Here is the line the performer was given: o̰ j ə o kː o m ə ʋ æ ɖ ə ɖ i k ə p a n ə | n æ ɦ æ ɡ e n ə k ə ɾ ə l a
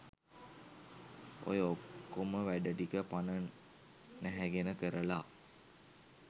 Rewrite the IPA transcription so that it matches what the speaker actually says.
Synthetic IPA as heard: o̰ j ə o kː o m ə ʋ æ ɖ ə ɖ i k ə p a n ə | n æ ɦ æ ɡ e n ə k ə ɾ ə l a